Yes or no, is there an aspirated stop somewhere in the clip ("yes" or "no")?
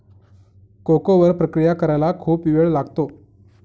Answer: yes